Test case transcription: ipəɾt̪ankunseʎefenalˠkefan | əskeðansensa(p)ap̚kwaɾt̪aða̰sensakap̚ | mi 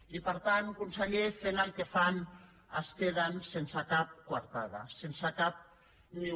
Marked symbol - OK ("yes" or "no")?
no